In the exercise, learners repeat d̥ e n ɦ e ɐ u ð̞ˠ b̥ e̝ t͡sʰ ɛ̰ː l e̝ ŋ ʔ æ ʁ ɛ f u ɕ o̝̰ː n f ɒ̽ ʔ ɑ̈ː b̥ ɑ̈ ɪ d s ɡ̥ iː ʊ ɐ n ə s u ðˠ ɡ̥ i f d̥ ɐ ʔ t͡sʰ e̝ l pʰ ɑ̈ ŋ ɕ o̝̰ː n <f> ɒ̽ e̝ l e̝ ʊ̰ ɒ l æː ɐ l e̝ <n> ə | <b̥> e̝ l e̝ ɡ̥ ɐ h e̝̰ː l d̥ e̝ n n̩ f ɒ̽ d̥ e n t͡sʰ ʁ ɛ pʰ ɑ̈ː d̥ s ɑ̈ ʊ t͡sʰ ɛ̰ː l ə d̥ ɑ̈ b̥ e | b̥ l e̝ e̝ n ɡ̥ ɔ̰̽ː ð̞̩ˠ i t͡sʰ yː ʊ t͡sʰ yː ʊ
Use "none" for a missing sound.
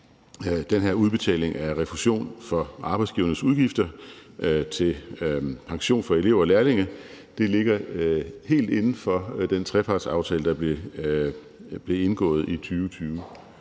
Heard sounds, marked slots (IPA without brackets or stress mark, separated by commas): f, ŋ, d̥